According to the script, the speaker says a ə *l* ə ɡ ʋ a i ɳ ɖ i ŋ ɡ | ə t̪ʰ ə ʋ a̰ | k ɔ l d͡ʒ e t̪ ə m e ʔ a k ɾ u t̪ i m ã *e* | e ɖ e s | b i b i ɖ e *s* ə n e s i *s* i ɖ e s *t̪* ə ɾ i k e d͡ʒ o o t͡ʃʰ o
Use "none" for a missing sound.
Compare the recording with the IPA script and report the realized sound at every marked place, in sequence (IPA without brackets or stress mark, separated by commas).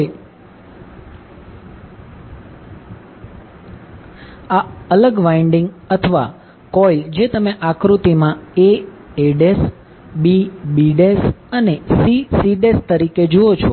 l, e, s, s, t̪